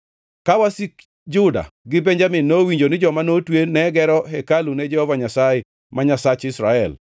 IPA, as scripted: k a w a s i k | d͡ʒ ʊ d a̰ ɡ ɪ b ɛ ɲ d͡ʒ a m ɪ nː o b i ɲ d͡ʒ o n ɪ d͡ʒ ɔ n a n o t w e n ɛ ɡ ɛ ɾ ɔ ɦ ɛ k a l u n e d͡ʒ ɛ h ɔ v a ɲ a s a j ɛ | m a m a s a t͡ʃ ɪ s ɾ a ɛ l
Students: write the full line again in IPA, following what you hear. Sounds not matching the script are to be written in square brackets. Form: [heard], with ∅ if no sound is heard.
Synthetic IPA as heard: k a w a s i k | d͡ʒ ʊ d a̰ ɡ ɪ b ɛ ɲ d͡ʒ a m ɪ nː o [w] i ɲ d͡ʒ o n ɪ d͡ʒ ɔ [m] a n o t w e n ɛ ɡ ɛ ɾ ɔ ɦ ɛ k a l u n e d͡ʒ ɛ h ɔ v a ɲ a s a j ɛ | m a [ɲ] a s a t͡ʃ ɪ s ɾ a ɛ l